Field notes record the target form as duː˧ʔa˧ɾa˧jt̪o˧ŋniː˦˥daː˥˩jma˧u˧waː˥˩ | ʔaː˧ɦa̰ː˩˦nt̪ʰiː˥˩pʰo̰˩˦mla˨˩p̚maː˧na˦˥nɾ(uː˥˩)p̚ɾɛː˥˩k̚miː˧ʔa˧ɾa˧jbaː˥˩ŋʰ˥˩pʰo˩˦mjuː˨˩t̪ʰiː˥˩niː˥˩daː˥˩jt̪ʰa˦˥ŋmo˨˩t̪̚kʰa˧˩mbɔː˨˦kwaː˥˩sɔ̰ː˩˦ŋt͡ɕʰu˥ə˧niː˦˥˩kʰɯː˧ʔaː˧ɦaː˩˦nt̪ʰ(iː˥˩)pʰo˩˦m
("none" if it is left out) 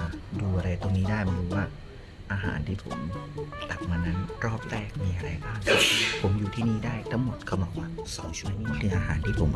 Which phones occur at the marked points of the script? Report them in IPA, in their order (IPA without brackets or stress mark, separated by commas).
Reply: ɔː˥˩, iː˥˩